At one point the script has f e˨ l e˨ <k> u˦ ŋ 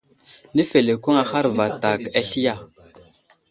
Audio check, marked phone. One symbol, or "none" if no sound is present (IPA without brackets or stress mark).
k